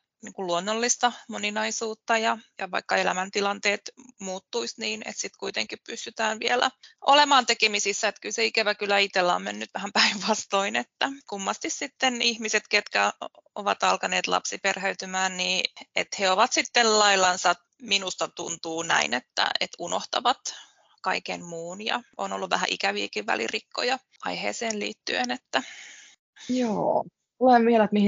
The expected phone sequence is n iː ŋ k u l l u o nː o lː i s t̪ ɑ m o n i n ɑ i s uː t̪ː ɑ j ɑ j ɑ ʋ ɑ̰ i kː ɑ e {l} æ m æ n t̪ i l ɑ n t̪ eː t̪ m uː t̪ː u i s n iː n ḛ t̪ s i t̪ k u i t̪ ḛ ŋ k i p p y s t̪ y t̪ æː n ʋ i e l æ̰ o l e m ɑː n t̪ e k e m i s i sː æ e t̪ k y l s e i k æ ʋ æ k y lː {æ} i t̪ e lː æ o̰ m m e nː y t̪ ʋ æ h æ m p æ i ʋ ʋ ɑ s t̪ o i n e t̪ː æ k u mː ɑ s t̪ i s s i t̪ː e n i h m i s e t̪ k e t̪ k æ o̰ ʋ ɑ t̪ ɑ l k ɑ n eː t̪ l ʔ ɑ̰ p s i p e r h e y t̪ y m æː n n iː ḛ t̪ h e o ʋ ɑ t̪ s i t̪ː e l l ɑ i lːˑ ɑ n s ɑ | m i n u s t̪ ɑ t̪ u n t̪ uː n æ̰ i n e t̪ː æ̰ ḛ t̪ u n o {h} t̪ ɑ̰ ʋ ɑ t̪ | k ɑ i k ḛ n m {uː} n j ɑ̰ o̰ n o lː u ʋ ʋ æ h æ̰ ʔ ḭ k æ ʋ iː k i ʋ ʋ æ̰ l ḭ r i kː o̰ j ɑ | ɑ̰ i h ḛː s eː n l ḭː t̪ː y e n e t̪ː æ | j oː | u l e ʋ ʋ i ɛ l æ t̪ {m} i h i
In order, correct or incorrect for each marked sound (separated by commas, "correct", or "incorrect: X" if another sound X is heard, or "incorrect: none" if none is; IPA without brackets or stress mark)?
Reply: correct, correct, correct, correct, correct